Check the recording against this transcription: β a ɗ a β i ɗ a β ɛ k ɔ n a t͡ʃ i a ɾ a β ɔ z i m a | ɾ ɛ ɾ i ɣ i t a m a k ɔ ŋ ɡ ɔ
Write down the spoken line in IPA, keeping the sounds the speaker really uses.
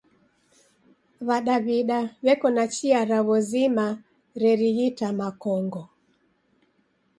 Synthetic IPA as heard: β a ɗ a β i ɗ a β ɛ k ɔ n a t͡ʃ i a ɾ a β ɔ z i m a | ɾ ɛ ɾ i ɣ i t a m a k ɔ ŋ ɡ ɔ